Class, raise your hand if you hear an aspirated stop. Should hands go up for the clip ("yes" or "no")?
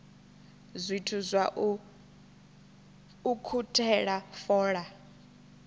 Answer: yes